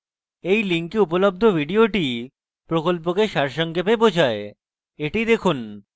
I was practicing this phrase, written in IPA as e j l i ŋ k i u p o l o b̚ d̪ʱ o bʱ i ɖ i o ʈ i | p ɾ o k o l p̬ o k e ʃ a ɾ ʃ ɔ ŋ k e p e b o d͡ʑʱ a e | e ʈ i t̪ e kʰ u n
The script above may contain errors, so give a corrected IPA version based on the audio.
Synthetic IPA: e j l i ŋ k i u p o l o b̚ d̪ʱ o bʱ i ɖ i o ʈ i | p ɾ o k o l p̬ o k e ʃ a ɾ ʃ ɔ ŋ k e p e b o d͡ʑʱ a e | e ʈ i d̪ e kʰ u n